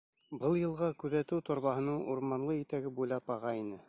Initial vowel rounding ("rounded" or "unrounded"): unrounded